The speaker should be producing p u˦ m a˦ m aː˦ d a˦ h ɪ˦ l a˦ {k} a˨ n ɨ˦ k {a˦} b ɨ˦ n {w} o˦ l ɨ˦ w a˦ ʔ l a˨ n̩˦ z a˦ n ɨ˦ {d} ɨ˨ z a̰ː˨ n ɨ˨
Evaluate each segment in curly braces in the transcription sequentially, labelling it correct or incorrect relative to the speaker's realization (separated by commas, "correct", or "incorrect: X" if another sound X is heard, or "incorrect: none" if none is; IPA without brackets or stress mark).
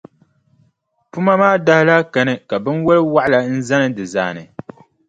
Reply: correct, incorrect: a˨, correct, correct